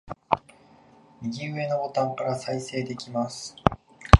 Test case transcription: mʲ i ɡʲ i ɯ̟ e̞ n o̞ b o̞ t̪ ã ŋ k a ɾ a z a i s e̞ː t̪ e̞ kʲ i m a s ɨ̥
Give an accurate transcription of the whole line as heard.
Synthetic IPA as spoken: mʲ i ɡʲ i ɯ̟ e̞ n o̞ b o̞ t̪ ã ŋ k a ɾ a s a i s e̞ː d̪ e̞ kʲ i m a s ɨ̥